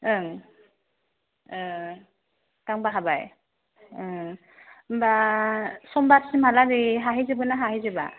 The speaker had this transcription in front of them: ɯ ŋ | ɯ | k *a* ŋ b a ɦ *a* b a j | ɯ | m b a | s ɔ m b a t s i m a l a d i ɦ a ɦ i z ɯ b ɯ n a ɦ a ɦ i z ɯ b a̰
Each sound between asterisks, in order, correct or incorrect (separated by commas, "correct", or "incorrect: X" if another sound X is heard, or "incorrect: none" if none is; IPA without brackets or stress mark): correct, correct